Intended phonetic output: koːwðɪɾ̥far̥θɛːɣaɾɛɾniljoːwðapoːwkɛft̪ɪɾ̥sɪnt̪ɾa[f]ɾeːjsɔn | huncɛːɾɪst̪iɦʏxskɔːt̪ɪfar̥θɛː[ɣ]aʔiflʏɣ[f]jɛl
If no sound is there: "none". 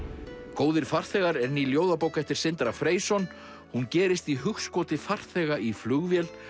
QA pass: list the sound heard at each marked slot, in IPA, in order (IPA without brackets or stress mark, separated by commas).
f, ɣ, v